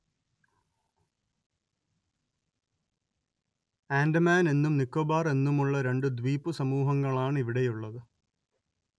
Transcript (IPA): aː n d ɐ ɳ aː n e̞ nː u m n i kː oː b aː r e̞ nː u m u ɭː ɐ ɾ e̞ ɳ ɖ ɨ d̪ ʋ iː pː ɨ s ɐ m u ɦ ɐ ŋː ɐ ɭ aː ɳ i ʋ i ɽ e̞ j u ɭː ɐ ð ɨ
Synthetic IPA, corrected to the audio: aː n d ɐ m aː n e̞ nː u m n i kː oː b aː r e̞ nː u m u ɭː ɐ ɾ e̞ ɳ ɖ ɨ d̪ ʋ iː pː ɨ s ɐ m uː ɦ ɐ ŋː ɐ ɭ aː ɳ i ʋ i ɽ e̞ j u ɭː ɐ ð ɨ